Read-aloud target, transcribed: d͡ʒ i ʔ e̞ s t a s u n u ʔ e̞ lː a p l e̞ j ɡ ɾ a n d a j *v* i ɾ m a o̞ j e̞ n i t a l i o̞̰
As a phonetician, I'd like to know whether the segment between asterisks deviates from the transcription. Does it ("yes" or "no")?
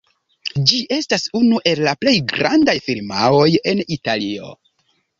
yes